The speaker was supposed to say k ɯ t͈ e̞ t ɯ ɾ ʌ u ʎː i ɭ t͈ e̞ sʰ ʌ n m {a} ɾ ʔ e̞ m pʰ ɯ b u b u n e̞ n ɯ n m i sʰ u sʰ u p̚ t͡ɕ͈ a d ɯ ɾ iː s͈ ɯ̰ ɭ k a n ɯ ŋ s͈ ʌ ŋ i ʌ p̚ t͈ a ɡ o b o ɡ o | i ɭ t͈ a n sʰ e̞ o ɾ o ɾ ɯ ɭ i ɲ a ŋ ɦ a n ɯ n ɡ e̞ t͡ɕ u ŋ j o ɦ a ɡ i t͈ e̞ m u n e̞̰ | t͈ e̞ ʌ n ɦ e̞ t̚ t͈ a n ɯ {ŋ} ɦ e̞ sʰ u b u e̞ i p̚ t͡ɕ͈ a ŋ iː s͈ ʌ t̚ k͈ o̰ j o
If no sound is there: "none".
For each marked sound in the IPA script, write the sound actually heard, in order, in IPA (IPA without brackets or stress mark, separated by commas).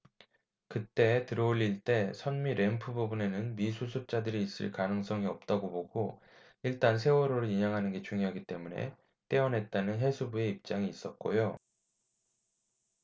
i, n